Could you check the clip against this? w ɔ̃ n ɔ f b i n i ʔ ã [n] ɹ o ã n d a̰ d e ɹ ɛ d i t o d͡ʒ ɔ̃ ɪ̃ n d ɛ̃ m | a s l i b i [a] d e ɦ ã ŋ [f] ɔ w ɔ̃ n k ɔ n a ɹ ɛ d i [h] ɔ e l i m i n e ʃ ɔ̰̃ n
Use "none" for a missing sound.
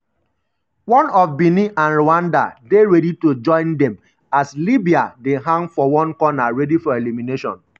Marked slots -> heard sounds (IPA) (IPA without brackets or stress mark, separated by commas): n, a, f, f